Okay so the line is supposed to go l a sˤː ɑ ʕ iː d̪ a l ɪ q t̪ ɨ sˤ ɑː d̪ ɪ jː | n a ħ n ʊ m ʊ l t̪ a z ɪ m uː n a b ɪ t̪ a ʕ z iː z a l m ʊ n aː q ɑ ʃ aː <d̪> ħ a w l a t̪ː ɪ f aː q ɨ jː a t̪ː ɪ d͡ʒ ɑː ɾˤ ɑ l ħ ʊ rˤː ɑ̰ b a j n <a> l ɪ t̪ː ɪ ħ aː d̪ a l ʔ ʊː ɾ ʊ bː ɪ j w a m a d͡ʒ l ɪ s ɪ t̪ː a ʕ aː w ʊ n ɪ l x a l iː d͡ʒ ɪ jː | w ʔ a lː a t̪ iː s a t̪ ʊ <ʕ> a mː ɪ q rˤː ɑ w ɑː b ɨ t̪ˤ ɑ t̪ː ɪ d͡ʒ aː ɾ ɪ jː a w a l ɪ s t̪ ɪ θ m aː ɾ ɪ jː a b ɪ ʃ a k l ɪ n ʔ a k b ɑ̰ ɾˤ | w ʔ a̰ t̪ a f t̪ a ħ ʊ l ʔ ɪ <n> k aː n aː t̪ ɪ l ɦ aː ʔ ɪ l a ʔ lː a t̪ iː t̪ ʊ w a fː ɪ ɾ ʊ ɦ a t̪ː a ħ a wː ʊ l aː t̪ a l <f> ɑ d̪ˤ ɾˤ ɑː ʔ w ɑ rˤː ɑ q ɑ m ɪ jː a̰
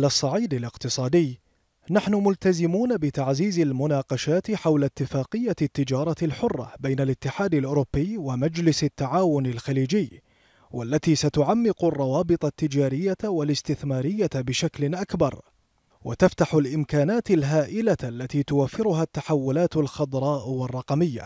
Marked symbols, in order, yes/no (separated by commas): no, yes, yes, no, no